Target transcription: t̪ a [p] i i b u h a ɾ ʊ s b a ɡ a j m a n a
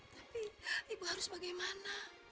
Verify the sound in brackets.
correct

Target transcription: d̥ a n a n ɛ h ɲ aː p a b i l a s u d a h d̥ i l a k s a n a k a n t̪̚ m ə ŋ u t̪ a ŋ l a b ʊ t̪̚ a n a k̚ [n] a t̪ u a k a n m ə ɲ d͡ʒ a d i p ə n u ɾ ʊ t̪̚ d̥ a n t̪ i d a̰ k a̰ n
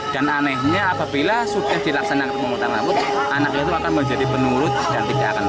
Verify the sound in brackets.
incorrect: ɲ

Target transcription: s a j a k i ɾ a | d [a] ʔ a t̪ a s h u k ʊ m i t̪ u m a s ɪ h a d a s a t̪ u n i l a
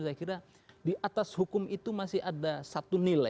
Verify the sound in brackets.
incorrect: i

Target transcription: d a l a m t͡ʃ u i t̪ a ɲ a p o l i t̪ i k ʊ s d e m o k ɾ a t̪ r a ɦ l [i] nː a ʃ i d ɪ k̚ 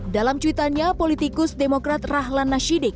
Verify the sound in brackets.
incorrect: a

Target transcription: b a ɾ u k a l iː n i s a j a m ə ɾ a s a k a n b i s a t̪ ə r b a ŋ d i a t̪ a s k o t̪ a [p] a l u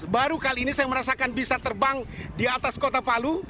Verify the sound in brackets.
correct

